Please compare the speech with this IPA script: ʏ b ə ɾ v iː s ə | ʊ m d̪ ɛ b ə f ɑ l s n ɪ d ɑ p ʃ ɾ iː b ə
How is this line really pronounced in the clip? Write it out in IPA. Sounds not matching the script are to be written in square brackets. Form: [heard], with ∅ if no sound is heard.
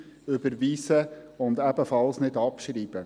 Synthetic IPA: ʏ b ə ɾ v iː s ə | ʊ [n] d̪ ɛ b ə f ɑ l s n ɪ d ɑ p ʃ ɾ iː b ə